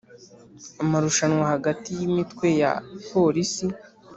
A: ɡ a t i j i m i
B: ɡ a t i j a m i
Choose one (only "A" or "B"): A